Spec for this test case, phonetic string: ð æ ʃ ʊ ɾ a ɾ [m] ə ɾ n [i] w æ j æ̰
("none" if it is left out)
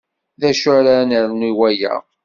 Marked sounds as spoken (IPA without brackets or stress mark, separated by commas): n, i